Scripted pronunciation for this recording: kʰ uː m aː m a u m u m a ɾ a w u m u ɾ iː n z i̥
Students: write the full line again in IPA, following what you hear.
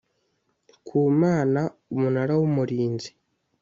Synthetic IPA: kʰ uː m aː n a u m u n a ɾ a w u m u ɾ iː n z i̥